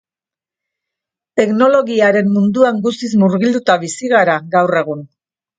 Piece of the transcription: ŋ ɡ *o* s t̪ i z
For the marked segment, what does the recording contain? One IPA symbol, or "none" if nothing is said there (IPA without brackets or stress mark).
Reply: u